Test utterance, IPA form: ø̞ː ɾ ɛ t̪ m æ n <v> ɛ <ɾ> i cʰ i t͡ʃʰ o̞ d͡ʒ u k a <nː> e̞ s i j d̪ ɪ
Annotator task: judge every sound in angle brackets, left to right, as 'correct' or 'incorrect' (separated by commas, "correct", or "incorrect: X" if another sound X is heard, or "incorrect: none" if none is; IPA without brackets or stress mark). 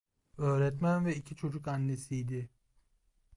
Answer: correct, incorrect: none, correct